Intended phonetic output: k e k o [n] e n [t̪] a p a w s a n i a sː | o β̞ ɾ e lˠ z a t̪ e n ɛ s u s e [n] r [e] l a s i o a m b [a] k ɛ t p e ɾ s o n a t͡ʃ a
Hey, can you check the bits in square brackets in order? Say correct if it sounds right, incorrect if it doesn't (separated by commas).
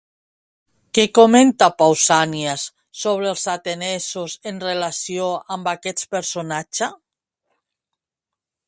incorrect, correct, correct, correct, correct